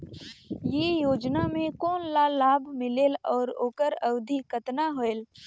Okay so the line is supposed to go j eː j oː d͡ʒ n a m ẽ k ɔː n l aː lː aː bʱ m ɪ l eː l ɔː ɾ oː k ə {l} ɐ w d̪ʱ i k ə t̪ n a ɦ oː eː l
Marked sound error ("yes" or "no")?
yes